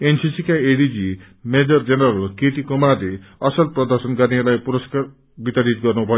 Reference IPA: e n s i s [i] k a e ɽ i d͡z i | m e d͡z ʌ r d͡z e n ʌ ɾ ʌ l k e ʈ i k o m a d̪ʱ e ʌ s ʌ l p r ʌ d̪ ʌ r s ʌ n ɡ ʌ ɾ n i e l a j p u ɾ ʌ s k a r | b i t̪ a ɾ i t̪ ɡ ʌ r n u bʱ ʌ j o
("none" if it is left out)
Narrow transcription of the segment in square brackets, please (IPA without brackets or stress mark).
i